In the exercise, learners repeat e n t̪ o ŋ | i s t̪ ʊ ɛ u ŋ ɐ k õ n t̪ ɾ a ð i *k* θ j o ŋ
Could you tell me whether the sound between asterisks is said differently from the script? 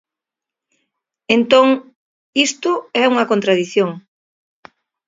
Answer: yes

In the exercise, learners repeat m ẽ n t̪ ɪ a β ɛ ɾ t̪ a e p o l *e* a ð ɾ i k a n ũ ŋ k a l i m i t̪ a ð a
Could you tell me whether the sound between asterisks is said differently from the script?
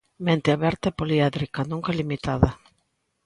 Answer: yes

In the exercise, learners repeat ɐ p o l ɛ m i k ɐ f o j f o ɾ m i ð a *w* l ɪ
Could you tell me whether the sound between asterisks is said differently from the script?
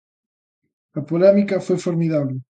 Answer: yes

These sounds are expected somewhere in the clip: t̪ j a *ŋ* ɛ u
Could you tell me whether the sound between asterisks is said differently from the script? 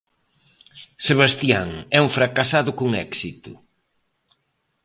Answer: no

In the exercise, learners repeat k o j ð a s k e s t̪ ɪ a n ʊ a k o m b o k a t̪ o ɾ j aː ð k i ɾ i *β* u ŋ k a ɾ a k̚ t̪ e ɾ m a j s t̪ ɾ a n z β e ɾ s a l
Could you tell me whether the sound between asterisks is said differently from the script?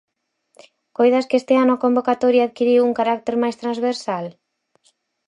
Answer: yes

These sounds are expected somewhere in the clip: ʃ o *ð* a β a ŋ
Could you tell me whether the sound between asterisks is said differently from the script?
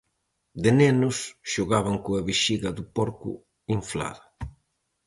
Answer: yes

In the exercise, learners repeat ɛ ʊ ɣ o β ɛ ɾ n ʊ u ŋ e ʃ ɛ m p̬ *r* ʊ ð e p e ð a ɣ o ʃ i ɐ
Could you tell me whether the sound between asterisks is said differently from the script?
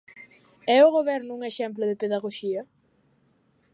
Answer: yes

